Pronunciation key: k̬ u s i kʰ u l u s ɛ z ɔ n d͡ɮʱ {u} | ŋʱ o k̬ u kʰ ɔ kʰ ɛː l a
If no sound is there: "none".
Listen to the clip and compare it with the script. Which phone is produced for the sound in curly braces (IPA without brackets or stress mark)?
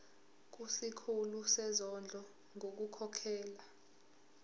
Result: ɔ